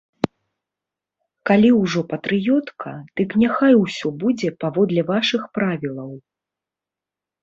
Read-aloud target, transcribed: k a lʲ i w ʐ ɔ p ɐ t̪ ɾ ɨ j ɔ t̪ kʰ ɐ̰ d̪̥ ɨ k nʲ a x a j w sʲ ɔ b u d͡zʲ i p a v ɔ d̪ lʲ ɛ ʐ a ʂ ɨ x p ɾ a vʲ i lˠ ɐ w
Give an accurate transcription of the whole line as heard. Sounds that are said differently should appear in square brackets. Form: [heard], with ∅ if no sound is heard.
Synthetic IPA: k a lʲ i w ʐ ɔ p ɐ t̪ ɾ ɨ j ɔ t̪ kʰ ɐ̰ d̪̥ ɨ k nʲ a x a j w sʲ ɔ b u d͡zʲ [ɛ] p a v ɔ d̪ lʲ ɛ [v] a ʂ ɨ x p ɾ a vʲ i lˠ ɐ w